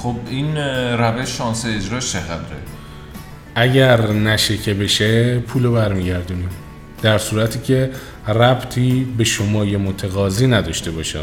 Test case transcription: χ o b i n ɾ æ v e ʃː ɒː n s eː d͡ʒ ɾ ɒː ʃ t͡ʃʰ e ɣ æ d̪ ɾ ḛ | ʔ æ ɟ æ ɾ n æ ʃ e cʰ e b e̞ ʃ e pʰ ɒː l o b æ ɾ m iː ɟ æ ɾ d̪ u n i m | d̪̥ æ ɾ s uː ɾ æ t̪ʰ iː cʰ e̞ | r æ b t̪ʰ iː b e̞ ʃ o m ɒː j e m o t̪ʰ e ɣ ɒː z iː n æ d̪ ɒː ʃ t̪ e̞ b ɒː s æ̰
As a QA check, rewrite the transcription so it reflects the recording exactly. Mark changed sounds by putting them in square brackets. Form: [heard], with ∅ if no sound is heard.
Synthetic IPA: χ o b i n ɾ æ v e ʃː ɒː n s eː d͡ʒ ɾ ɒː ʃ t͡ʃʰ e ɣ æ d̪ ɾ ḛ | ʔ æ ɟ æ ɾ n æ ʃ e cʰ e b e̞ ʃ e pʰ [uː] l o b æ ɾ m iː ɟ æ ɾ d̪ u n i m | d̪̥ æ ɾ s uː ɾ æ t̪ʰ iː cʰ e̞ | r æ b t̪ʰ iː b e̞ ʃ o m ɒː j e m o t̪ʰ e ɣ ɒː z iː n æ d̪ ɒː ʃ t̪ e̞ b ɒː [ʃ] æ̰